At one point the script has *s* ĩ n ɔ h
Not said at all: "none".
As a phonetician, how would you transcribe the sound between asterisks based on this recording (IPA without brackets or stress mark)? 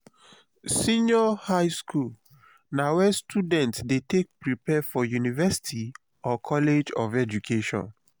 s